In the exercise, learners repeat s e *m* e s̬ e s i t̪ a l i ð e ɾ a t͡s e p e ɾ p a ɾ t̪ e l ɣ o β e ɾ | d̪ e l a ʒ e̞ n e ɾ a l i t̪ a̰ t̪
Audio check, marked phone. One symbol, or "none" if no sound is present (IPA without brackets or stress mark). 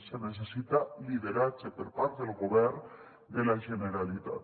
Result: n